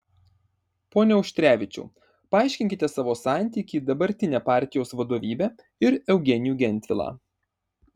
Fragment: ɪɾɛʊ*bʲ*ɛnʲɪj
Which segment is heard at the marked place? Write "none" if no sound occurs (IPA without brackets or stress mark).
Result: ɡʲ